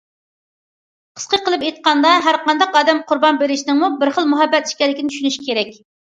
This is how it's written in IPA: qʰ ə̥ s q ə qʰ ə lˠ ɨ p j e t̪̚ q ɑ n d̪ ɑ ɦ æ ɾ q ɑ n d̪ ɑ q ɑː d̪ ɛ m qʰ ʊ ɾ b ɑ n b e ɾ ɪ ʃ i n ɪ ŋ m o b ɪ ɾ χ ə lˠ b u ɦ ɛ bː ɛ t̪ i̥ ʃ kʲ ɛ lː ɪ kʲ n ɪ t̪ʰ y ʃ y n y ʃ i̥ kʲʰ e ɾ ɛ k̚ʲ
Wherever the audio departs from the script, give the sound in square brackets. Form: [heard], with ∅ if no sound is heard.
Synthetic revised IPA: qʰ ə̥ s q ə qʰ ə lˠ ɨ p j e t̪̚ q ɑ n d̪ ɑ ɦ æ ɾ q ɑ n d̪ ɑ q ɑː d̪ ɛ m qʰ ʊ ɾ b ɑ n b e ɾ ɪ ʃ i n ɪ ŋ m [u] b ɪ ɾ χ ə lˠ [m] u ɦ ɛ bː ɛ t̪ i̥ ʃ kʲ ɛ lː ɪ kʲ n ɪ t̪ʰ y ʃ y n y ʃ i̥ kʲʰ e ɾ ɛ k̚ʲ